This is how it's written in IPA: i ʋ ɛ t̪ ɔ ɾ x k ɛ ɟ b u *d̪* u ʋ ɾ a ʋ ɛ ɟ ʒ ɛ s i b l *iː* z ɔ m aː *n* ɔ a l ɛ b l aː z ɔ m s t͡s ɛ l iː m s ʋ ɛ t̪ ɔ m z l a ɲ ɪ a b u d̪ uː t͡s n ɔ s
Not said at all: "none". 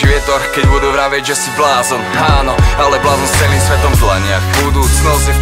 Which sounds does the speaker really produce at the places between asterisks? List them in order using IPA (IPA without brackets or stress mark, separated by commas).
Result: d̪, aː, n